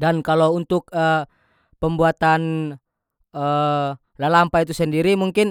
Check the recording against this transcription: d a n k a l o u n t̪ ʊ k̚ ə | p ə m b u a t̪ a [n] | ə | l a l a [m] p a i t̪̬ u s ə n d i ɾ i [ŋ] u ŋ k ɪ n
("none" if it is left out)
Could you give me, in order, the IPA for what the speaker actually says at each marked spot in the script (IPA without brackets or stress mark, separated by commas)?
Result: n, m, m